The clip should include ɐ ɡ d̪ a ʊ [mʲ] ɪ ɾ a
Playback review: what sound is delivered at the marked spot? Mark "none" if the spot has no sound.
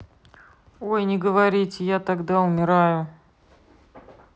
mʲ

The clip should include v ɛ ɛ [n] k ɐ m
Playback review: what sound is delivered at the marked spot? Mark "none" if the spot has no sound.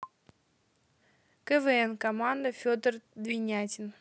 n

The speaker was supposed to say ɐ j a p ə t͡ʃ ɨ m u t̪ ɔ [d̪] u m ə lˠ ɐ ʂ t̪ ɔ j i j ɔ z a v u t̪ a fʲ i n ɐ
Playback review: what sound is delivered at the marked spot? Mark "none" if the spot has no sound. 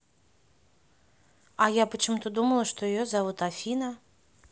d̪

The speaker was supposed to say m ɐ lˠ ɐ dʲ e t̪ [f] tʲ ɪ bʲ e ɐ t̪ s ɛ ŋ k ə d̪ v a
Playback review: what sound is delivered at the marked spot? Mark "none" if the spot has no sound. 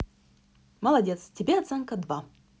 s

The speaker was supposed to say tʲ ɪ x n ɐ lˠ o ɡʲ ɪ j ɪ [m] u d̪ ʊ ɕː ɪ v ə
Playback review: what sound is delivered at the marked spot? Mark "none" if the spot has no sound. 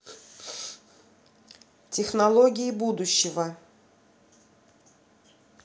b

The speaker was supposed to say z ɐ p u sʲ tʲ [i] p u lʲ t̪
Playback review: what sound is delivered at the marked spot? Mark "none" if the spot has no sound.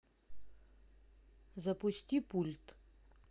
i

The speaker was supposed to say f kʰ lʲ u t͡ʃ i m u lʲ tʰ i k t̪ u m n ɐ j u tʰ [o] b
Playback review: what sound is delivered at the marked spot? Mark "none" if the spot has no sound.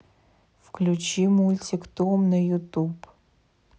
u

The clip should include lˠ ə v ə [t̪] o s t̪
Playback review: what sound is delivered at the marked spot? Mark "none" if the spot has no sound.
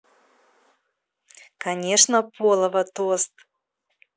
t̪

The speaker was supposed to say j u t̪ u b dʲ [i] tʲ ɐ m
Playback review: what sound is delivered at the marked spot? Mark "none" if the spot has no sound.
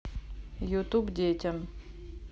e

